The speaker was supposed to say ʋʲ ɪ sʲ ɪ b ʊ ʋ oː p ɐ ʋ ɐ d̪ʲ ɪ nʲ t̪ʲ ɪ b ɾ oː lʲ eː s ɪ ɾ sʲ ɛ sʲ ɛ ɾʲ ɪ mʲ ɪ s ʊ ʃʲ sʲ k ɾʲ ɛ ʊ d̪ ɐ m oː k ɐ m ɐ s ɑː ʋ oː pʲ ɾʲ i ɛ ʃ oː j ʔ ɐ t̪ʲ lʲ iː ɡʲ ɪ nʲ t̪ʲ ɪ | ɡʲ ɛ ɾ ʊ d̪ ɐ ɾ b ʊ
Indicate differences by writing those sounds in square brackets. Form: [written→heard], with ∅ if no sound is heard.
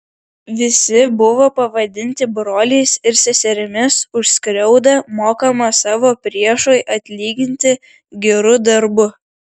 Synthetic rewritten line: ʋʲ ɪ sʲ ɪ b ʊ ʋ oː p ɐ ʋ ɐ d̪ʲ ɪ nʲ t̪ʲ ɪ b ɾ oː lʲ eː s ɪ ɾ sʲ ɛ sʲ ɛ ɾʲ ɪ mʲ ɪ s ʊ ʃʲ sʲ k ɾʲ ɛ ʊ d̪ ɐ m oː k ɐ m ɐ s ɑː ʋ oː pʲ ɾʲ i ɛ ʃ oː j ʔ ɐ t̪ʲ lʲ iː ɡʲ ɪ nʲ t̪ʲ ɪ | ɡʲ ɛ ɾ ʊ d̪ ɐ ɾ b ʊ